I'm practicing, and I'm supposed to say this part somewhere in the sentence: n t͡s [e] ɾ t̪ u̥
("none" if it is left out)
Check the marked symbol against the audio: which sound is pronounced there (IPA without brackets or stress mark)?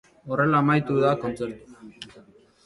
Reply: e